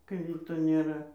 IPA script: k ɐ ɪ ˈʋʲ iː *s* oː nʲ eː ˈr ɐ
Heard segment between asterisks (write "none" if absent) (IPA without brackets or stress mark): t